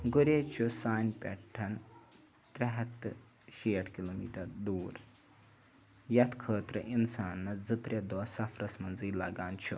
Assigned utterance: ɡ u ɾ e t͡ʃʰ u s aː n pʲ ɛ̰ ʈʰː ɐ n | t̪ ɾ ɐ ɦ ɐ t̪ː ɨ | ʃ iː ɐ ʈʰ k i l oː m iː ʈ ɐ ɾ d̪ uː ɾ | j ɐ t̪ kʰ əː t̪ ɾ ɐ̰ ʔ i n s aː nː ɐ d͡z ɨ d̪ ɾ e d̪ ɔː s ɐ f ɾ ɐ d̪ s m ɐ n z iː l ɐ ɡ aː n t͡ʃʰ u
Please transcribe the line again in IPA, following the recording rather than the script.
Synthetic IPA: ɡ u ɾ e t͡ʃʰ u s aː n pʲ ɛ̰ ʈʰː ɐ n | t̪ ɾ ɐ ɦ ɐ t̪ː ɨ | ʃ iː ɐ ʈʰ k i l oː m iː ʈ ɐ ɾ d̪ uː ɾ | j ɐ t̪ kʰ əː t̪ ɾ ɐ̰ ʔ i n s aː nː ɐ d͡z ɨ t̪ ɾ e d̪ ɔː s ɐ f ɾ ɐ s m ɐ n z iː l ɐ ɡ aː n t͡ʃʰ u